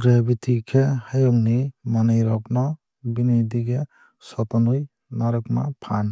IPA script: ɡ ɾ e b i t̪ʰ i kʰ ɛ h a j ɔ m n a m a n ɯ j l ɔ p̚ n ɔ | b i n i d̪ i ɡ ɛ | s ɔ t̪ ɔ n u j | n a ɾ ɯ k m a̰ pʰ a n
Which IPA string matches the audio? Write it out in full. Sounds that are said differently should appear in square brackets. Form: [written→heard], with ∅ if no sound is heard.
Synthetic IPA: ɡ ɾ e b i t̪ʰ i kʰ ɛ h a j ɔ [m→ŋ] n [a→i] m a n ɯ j [l→ɾ] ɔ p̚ n ɔ | b i n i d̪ i ɡ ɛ | s ɔ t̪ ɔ n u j | n a ɾ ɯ k m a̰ pʰ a n